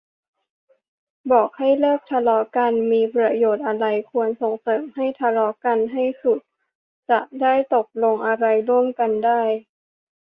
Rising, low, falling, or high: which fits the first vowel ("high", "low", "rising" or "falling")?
low